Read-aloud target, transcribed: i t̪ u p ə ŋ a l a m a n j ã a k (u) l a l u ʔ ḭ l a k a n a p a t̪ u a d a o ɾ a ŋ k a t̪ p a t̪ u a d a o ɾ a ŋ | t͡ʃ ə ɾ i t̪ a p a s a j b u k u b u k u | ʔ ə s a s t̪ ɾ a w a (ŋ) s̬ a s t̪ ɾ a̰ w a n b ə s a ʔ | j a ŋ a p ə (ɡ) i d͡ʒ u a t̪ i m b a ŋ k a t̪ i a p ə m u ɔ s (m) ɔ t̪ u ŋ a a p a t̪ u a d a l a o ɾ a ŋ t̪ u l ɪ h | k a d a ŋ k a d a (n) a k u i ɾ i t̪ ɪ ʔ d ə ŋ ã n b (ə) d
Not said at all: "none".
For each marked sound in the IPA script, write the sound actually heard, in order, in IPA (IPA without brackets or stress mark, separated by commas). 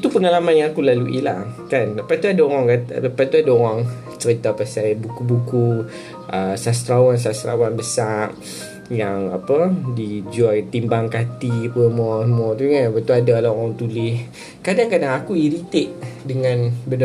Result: u, n, d, m, ŋ, ə